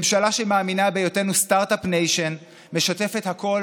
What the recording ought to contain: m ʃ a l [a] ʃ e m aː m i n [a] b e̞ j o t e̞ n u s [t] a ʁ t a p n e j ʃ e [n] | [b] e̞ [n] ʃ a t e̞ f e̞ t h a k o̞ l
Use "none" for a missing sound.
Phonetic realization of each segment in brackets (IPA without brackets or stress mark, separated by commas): a, a, t, n, m, none